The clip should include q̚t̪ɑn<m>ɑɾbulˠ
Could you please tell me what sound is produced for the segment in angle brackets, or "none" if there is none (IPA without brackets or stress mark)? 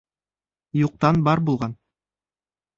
b